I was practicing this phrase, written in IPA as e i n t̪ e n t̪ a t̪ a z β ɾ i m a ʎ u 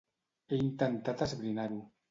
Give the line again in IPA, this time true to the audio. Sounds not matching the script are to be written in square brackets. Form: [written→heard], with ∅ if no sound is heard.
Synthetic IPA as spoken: e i n t̪ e n t̪ a t̪ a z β ɾ i [m→n] a [ʎ→ɾ] u